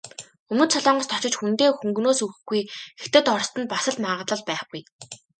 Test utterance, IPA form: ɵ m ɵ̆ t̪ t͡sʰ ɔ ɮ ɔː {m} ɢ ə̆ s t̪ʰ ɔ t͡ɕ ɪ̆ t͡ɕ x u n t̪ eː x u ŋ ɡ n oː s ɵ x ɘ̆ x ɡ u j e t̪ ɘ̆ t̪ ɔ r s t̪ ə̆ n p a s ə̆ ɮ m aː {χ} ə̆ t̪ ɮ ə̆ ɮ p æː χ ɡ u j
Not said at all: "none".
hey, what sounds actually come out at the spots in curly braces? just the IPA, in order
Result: ɴ, ʁ

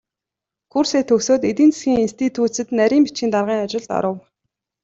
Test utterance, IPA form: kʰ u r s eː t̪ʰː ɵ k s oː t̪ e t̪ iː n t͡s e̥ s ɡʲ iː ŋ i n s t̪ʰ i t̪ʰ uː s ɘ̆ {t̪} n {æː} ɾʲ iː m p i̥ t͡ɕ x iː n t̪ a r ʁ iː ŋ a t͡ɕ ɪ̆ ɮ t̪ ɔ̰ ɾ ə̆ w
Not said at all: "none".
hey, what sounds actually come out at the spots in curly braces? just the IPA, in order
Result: t̪, æ

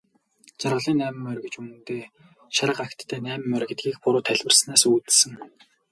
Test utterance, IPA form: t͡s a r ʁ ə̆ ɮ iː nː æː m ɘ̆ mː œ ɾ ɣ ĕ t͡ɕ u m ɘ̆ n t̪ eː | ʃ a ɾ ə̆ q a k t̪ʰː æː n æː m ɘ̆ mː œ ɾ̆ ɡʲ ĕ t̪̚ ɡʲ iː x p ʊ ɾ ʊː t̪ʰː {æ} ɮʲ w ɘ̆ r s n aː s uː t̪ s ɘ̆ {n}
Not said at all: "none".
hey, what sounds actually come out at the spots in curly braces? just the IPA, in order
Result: æ, ŋ

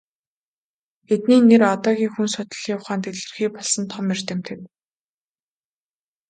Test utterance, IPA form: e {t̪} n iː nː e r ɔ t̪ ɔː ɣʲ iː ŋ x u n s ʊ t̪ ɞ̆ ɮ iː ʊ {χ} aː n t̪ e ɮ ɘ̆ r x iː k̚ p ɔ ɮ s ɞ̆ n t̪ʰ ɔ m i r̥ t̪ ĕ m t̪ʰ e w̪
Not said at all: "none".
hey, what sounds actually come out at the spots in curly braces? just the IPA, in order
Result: t̪, χ

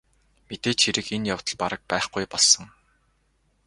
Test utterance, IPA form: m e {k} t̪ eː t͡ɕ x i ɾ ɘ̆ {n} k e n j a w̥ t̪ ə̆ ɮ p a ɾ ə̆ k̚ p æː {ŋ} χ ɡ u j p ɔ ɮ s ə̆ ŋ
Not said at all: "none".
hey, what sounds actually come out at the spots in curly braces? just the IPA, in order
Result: none, none, none

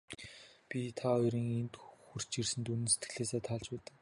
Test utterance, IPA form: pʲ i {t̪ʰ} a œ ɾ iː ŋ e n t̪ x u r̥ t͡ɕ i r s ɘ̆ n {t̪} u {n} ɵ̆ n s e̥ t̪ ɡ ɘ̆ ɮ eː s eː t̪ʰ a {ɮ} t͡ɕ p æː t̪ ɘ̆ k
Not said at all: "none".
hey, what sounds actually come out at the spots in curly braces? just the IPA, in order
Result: t̪ʰ, t̪, n, ɮ

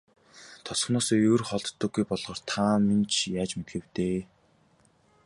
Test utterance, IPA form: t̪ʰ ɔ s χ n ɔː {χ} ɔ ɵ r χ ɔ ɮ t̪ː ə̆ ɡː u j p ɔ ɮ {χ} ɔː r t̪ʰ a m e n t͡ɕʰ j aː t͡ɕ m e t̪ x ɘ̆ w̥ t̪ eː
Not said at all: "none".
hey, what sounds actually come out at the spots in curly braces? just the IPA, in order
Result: s, ʁ

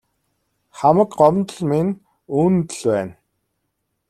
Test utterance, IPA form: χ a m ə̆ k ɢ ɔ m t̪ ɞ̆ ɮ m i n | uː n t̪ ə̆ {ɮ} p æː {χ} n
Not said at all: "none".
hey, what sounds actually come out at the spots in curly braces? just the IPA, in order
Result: ɮ, none

